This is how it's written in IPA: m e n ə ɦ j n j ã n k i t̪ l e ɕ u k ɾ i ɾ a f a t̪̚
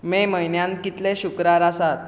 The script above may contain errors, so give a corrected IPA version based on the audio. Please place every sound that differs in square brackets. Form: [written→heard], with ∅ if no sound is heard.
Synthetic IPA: m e [n→m] ə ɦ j n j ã n k i t̪ l e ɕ u k ɾ [i→a] ɾ a [f→s] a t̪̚

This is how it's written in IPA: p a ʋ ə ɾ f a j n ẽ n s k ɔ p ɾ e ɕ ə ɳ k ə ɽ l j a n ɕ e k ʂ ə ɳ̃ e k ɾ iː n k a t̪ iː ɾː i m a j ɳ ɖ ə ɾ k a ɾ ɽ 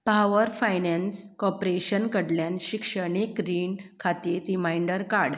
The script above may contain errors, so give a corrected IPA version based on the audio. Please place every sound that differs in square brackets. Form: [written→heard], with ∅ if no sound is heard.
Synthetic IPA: p a ʋ ə ɾ f a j n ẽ n s k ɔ p ɾ e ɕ ə [ɳ→n] k ə ɽ l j a n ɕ [e→i] k ʂ ə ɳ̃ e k ɾ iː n [k→kʰ] a t̪ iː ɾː i m a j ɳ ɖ ə ɾ k a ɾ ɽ

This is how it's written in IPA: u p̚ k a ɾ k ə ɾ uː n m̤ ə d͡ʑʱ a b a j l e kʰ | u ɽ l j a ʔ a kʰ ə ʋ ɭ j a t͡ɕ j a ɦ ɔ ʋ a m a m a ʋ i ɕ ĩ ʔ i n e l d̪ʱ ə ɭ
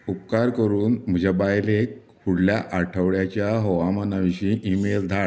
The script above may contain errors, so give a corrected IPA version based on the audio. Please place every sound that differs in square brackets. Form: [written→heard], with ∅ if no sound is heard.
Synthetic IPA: u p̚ k a ɾ k ə ɾ uː n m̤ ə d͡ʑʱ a b a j l e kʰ | u ɽ l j a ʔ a [kʰ→ʈʰ] ə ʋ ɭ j a t͡ɕ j a ɦ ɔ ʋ a m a [m→n] a ʋ i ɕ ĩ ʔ i [n→m] e l d̪ʱ [ə→a] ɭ

